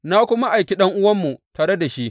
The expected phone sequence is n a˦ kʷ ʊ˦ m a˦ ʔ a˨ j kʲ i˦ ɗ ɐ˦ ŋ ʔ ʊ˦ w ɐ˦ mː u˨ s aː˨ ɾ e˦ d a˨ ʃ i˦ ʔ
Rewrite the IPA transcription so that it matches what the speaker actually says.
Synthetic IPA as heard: n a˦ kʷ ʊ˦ m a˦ ʔ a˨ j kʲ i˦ ɗ ɐ˦ ŋ ʔ ʊ˦ w ɐ˦ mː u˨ t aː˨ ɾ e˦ d a˨ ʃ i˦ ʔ